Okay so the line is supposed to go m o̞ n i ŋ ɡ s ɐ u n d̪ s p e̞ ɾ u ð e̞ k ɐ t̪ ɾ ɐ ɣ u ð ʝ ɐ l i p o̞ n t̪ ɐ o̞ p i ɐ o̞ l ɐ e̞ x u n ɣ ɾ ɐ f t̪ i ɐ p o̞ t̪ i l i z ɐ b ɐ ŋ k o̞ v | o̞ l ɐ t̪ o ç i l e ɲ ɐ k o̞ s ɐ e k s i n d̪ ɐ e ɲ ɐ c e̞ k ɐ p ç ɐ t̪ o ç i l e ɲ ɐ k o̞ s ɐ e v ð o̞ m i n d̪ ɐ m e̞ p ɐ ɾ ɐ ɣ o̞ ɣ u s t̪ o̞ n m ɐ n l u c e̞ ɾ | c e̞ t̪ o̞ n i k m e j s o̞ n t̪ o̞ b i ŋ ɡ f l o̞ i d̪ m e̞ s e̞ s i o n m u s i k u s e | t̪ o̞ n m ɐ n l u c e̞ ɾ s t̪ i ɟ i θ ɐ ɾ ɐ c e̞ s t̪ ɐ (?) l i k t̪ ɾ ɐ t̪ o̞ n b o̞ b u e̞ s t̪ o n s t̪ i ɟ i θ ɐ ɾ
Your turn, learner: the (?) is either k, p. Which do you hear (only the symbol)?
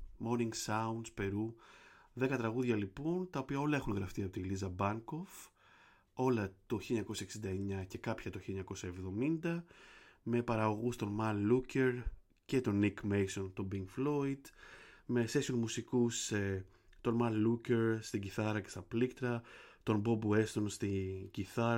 p